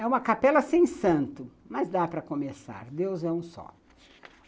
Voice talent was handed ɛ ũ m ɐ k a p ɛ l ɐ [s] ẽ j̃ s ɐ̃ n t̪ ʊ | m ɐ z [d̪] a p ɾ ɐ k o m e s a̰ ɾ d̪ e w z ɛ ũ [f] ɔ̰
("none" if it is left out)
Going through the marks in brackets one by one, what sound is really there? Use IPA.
s, d̪, s

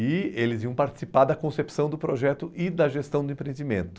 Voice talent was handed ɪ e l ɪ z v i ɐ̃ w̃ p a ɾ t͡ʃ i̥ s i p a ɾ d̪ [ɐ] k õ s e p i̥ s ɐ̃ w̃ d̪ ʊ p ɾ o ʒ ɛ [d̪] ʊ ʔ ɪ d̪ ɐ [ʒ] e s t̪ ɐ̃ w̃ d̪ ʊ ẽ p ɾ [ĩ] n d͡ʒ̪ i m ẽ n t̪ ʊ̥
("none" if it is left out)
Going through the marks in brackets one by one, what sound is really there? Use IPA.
ɐ, t̪, ʒ, ẽ

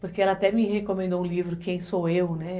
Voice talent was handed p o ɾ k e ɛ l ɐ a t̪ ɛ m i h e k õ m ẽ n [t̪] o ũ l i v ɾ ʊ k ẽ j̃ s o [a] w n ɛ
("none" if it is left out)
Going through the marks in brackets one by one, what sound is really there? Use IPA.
d̪, e

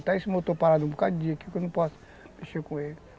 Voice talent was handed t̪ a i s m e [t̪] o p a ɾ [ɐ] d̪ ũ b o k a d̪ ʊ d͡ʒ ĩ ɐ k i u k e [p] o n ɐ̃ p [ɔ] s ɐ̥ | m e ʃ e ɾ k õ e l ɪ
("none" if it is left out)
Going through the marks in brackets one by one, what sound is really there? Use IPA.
t̪, a, none, ɔ

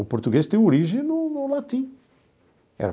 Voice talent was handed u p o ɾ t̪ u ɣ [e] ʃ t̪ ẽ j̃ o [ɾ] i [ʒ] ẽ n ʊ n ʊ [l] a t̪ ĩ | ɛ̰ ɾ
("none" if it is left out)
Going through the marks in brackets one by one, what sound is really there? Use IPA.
e, ɾ, ʒ, l

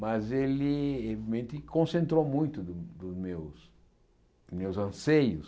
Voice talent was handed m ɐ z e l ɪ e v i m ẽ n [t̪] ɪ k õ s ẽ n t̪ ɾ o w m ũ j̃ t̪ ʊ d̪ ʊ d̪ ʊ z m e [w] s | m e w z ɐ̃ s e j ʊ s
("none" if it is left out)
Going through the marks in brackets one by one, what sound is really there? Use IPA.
t̪, w

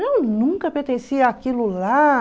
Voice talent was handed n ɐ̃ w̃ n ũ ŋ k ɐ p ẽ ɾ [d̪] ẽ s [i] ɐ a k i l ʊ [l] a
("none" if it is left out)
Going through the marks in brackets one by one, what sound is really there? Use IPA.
t̪, i, l

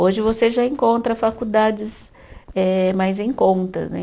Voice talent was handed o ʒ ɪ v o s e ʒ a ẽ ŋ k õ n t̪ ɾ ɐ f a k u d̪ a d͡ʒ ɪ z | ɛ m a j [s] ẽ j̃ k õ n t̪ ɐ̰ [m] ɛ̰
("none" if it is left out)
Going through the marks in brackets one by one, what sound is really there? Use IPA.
z, n

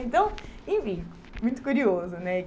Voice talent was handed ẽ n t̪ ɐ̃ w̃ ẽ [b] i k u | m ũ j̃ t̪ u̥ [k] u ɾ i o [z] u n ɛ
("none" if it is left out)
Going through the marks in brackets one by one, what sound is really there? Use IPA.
v, k, z

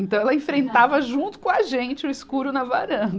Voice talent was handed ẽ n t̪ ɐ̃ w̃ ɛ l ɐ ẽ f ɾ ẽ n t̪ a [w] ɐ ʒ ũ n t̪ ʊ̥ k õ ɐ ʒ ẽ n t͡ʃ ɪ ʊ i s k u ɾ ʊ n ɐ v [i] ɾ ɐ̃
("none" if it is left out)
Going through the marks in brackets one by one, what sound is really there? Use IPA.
v, a

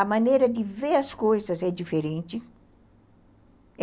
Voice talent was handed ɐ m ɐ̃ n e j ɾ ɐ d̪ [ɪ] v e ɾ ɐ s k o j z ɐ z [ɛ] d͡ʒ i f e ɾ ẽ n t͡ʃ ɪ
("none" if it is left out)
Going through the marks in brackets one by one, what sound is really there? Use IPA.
ɪ, ɛ

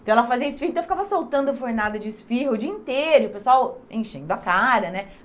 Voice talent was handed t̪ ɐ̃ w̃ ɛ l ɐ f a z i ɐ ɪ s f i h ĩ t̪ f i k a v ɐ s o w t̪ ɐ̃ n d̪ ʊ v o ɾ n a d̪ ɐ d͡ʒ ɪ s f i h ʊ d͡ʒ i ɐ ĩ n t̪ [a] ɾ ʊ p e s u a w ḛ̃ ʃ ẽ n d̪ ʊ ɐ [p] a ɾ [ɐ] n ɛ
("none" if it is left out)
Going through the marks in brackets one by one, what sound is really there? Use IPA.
e, k, ɐ

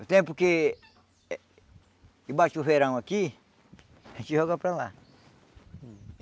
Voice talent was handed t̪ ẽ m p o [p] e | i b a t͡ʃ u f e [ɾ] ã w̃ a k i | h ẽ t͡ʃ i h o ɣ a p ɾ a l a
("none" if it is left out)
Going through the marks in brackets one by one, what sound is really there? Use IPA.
k, ɾ

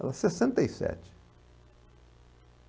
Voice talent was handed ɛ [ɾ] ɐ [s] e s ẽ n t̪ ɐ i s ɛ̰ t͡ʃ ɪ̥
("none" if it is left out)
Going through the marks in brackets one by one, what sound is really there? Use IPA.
l, s

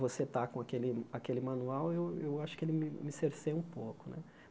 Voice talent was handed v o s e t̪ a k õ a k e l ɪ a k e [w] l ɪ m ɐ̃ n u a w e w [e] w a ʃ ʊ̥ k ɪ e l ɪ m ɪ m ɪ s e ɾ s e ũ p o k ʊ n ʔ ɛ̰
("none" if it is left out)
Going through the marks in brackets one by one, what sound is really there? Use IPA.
none, e

